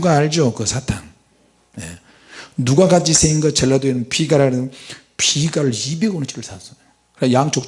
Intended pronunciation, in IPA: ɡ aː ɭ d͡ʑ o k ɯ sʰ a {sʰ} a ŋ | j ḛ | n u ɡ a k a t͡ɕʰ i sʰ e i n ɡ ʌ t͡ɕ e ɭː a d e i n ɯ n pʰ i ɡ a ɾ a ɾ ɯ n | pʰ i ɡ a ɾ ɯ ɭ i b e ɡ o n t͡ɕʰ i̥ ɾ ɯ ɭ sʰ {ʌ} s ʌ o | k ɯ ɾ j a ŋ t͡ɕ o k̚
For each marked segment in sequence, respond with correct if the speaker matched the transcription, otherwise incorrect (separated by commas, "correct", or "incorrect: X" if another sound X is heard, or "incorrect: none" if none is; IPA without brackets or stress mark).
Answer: incorrect: tʰ, incorrect: a